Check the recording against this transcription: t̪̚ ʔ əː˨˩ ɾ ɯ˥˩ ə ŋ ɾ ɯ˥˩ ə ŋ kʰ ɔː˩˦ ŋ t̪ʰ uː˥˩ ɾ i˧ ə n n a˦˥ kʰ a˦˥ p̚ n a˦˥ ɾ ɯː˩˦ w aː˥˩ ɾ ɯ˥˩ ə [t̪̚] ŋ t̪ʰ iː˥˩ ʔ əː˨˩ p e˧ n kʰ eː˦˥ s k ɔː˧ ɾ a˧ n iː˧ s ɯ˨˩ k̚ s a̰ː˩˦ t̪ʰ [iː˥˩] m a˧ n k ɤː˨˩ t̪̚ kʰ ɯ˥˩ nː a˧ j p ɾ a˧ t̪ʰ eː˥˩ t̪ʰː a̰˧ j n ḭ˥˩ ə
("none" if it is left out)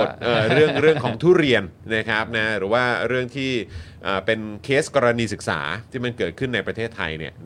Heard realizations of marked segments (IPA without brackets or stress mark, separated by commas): none, iː˥˩